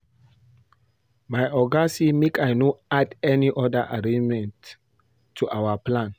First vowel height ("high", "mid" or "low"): low